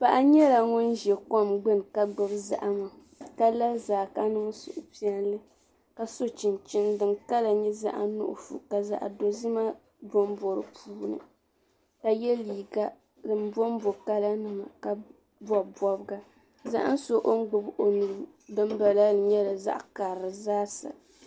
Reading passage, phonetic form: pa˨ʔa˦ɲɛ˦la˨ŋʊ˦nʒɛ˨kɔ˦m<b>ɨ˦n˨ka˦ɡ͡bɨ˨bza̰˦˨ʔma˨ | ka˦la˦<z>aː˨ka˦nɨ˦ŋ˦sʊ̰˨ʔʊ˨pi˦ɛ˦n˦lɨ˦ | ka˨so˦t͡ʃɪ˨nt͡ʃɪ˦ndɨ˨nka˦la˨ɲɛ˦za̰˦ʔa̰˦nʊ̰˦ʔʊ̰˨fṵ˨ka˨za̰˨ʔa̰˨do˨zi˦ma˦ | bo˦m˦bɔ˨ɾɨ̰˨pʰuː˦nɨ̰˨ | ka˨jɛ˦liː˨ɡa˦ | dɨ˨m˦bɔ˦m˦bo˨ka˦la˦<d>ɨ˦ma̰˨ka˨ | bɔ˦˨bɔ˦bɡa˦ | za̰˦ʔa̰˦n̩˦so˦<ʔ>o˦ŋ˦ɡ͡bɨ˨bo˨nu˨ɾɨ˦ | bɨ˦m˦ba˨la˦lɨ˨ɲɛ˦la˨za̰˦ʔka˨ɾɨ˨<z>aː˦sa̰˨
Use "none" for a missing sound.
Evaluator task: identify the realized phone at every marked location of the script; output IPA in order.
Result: ɡ͡b, z, n, ʔ, z

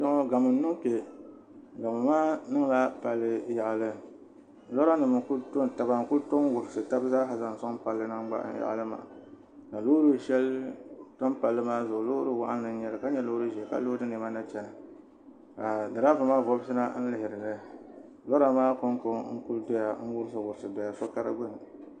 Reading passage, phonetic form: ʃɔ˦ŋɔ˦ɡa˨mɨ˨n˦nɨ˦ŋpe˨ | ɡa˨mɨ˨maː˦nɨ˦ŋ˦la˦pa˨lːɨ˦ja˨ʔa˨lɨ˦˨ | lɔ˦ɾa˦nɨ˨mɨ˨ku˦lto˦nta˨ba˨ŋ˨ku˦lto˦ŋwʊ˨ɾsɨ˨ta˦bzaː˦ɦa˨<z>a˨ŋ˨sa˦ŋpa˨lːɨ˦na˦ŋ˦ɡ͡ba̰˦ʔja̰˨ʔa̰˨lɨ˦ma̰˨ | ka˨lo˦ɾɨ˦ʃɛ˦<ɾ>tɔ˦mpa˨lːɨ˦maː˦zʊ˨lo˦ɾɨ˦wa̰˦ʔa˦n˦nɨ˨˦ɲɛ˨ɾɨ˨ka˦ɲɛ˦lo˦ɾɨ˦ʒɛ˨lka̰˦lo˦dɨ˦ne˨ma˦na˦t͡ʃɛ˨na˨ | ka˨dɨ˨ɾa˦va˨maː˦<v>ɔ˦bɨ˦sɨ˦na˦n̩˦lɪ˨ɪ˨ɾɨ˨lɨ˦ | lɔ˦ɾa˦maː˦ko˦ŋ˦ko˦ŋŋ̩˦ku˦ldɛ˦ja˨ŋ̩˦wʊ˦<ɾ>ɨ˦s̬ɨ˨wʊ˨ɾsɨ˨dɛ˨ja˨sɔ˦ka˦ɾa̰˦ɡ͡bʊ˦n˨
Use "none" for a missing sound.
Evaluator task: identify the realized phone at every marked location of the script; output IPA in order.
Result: z, l, v, ɾ

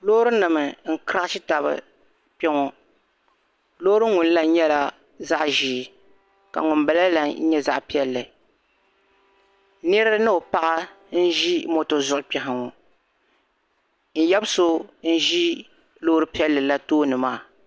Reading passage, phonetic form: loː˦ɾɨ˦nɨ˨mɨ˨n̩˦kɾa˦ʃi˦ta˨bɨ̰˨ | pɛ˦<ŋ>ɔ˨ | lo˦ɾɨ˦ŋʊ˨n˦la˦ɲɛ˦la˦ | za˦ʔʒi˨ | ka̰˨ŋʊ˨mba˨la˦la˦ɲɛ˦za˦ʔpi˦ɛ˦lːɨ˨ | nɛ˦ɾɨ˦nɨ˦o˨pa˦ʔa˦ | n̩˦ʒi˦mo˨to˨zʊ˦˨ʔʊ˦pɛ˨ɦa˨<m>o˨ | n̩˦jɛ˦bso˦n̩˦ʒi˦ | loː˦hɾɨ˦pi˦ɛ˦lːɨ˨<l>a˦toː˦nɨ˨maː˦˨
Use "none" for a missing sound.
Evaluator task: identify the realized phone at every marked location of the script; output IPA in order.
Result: ŋ, ŋ, l

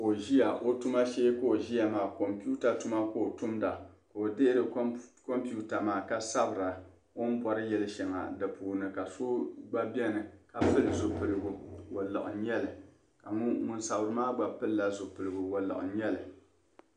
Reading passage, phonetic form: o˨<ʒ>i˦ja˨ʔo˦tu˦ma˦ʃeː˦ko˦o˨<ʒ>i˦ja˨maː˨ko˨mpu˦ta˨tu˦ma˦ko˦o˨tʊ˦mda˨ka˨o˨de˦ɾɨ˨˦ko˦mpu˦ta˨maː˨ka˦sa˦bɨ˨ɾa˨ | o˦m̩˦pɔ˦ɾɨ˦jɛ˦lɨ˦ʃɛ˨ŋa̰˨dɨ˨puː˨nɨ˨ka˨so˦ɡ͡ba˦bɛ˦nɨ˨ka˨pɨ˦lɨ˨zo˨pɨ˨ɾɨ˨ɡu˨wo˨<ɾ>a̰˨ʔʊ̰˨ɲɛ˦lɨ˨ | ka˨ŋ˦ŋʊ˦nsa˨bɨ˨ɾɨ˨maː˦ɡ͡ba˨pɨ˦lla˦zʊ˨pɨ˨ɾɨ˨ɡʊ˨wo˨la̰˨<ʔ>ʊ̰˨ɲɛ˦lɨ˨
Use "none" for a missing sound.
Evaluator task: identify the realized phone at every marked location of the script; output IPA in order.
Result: ʒ, ʒ, l, ʔ

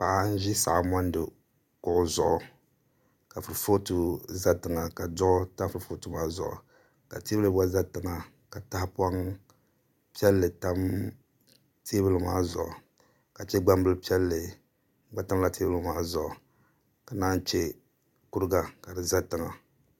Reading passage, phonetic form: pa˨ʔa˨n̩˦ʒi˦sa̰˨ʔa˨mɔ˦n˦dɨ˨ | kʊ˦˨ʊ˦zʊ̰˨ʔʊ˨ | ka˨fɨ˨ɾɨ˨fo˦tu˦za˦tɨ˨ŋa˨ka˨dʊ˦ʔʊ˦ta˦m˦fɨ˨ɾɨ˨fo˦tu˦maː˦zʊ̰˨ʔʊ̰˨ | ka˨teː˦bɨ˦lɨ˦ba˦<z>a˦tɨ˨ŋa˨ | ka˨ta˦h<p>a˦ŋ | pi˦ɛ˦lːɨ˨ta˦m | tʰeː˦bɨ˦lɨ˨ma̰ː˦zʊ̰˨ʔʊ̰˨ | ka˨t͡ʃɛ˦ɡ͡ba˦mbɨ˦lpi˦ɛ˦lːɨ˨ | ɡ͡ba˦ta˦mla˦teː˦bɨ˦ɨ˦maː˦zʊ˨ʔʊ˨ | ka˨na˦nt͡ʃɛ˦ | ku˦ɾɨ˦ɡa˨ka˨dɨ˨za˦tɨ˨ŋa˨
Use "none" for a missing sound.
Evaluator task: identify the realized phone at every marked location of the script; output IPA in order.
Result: z, p

